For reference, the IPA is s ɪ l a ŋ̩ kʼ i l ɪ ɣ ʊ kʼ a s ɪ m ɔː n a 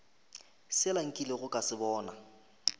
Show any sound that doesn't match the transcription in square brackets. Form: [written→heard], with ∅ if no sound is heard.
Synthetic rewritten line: s ɪ l a ŋ̩ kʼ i l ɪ ɣ ʊ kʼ a s ɪ [m→b] ɔː n a